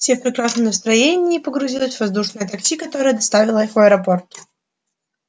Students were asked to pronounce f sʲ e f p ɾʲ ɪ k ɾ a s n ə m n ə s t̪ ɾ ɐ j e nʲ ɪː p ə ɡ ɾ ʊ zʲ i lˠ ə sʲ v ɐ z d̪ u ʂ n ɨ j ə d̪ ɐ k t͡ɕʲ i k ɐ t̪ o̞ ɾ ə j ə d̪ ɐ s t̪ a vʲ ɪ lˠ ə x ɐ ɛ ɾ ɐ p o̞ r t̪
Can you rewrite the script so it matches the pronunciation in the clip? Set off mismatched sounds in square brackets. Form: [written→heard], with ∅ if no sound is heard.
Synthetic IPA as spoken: f sʲ e f p ɾʲ ɪ k ɾ a s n ə m n ə s t̪ ɾ ɐ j e nʲ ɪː p ə ɡ ɾ ʊ zʲ i lˠ ə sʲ v ɐ z d̪ u ʂ n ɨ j ə [d̪→t̪] ɐ k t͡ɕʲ i k ɐ t̪ o̞ ɾ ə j ə d̪ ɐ s t̪ a vʲ ɪ lˠ ə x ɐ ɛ ɾ ɐ p o̞ r t̪